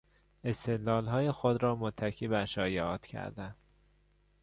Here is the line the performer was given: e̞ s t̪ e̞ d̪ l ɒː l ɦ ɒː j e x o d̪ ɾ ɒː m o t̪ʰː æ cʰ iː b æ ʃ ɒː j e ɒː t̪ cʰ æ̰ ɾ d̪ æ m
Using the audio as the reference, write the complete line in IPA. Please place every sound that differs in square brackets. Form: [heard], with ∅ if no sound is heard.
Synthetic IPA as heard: e̞ s t̪ e̞ d̪ l ɒː l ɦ ɒː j e x o d̪ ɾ ɒː m o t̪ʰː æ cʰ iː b æ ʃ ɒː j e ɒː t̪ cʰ æ̰ ɾ d̪ æ [n]